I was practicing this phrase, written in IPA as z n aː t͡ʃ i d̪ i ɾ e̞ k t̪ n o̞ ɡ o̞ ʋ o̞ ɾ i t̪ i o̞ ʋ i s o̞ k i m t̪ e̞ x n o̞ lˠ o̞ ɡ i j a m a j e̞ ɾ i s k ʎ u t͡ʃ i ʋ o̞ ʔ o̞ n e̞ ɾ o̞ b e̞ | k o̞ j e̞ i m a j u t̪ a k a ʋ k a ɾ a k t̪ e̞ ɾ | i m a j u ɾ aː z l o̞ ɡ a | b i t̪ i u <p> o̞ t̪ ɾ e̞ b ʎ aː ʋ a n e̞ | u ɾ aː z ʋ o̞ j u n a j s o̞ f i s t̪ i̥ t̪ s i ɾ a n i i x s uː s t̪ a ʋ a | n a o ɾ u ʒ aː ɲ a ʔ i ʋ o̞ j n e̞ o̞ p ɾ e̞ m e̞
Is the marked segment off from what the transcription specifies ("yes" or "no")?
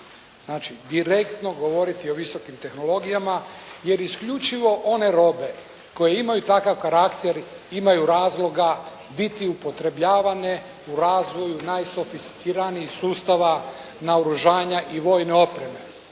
no